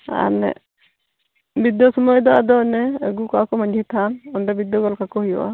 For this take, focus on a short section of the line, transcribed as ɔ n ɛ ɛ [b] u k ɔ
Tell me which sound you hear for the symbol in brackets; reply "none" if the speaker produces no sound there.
ɡ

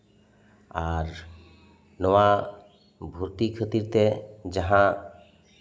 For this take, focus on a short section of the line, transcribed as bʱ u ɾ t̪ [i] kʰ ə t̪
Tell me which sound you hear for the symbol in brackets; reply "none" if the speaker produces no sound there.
i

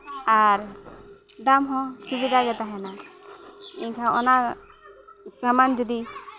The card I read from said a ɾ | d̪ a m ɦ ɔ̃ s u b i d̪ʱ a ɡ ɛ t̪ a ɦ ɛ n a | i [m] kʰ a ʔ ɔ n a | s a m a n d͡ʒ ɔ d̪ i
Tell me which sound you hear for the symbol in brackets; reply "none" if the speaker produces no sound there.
ɲ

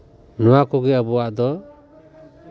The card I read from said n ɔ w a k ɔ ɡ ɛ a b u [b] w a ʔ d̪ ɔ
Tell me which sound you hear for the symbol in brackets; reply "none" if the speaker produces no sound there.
none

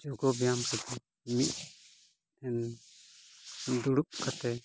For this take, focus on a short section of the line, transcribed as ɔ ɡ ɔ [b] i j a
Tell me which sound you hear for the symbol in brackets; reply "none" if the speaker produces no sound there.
b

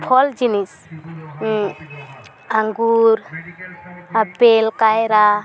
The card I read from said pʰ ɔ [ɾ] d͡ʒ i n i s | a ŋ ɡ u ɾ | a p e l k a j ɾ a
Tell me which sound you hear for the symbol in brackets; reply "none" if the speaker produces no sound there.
l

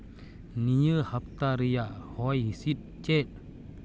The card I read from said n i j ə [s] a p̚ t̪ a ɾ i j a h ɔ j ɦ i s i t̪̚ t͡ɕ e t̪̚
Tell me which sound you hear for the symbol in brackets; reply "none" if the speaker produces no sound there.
h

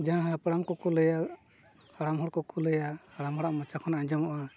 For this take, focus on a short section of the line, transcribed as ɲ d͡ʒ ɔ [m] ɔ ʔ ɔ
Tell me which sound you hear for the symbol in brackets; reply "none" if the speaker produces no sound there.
m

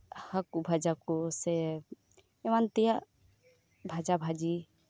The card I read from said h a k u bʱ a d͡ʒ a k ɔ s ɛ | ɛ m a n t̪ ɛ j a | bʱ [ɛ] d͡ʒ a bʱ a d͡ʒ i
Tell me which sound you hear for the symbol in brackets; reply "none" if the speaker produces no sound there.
a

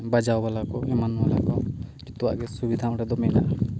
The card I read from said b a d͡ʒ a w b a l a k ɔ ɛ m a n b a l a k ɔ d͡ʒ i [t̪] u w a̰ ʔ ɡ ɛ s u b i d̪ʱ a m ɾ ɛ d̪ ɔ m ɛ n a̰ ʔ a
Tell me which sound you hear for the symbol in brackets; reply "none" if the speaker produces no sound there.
t̪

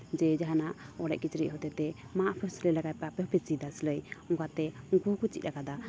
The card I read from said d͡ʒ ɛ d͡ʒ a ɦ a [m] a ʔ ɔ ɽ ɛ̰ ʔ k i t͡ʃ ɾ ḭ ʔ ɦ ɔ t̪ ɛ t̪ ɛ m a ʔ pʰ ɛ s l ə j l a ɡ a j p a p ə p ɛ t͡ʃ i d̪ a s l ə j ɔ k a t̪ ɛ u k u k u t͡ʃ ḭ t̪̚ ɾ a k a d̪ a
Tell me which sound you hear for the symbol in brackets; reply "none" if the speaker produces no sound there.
n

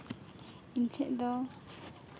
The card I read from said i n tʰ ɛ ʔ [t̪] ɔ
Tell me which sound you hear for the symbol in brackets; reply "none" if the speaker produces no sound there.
d̪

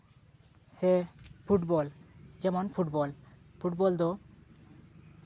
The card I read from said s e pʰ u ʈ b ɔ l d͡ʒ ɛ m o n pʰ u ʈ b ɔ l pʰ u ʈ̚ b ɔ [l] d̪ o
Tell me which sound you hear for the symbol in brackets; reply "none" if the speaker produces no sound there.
l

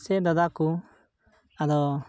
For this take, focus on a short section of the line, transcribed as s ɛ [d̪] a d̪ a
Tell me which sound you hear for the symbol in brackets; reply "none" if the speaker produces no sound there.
d̪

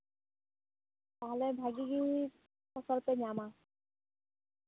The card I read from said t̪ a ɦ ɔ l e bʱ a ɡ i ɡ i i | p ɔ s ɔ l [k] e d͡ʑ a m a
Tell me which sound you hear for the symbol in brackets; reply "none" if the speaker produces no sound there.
p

